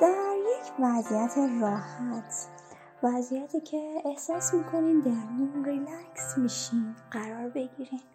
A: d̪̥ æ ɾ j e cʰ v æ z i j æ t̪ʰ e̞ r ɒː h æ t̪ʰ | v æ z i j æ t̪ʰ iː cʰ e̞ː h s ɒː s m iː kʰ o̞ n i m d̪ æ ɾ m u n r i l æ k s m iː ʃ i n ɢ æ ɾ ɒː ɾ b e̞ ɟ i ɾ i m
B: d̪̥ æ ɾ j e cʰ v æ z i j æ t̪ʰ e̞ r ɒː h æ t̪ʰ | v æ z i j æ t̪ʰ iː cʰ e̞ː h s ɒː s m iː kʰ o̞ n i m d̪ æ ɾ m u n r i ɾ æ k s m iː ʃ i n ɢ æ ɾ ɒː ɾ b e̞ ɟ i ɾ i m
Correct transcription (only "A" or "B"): A